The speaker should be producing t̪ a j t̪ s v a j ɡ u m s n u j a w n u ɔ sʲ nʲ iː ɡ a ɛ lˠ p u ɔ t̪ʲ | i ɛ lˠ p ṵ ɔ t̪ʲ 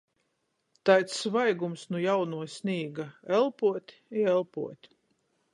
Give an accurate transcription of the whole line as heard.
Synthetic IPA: t̪ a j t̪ s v a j ɡ u m s n u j a w n u ɔ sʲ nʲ iː ɡ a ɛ lˠ p u ɔ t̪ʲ | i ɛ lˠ p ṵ ɔ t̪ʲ

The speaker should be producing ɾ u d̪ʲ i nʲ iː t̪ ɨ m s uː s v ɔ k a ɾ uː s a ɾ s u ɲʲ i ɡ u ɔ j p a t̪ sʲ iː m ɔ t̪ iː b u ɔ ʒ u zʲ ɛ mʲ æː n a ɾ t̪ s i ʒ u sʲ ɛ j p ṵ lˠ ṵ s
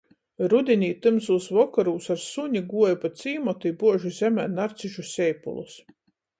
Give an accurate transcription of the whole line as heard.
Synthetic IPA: ɾ u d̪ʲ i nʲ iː t̪ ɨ m s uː s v ɔ k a ɾ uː s a ɾ s u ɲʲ i ɡ u ɔ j p a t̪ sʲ iː m ɔ t̪ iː b u ɔ ʒ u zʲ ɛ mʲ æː n a ɾ t̪ s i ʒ u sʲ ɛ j p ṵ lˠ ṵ s

